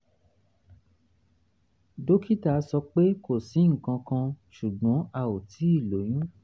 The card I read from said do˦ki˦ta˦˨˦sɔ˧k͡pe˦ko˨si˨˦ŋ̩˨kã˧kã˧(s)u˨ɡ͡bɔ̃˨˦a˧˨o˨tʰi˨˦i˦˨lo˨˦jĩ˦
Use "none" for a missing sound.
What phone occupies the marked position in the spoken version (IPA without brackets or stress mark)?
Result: ʃ